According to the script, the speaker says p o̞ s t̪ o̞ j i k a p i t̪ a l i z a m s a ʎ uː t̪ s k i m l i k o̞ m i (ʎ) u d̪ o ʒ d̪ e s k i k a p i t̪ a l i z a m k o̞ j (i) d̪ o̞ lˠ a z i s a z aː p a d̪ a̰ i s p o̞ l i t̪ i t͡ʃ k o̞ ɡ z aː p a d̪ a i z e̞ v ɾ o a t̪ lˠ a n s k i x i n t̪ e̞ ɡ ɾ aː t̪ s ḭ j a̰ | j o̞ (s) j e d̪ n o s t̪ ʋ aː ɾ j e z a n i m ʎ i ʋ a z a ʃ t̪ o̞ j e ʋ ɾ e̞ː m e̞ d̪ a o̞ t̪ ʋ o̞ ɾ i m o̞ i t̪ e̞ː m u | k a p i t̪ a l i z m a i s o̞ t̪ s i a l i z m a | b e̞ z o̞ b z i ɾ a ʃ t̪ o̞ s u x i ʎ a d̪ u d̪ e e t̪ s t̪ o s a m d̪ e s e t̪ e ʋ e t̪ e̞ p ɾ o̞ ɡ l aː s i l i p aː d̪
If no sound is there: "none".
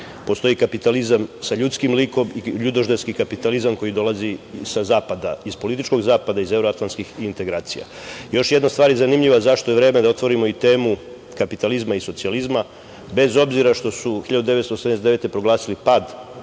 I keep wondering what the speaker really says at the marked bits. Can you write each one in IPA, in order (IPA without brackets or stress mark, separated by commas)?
ʎ, i, ʃ